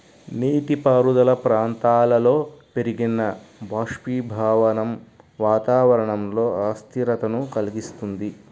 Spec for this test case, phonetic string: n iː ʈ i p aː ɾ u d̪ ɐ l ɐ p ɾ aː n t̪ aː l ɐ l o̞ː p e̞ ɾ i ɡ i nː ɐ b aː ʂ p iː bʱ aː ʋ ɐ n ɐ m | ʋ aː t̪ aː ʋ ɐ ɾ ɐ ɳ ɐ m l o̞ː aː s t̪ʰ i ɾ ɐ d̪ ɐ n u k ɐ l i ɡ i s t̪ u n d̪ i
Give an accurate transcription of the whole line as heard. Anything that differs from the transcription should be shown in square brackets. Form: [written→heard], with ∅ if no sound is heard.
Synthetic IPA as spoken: n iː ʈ i p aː ɾ u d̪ ɐ l ɐ p ɾ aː n t̪ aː l ɐ l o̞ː p e̞ ɾ i ɡ i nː ɐ b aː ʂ p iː bʱ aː ʋ ɐ n ɐ m | ʋ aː t̪ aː ʋ ɐ ɾ ɐ ɳ ɐ m l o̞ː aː s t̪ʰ i ɾ ɐ [d̪→t̪] ɐ n u k ɐ l i ɡ i s t̪ u n d̪ i